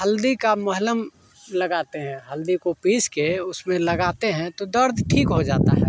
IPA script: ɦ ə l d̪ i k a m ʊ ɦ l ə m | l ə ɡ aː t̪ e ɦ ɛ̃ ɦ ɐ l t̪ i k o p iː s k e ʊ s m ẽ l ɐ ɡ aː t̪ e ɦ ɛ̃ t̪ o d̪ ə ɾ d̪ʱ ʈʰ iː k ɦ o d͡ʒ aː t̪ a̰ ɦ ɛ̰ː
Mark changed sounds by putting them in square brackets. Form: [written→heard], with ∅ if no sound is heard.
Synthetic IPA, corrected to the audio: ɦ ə l d̪ i k a m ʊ ɦ l ə m | l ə ɡ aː t̪ e ɦ ɛ̃ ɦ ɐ l [t̪→d̪] i k o p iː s k e ʊ s m ẽ l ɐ ɡ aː t̪ e ɦ ɛ̃ t̪ o d̪ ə ɾ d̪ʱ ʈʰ iː k ɦ o d͡ʒ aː t̪ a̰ ɦ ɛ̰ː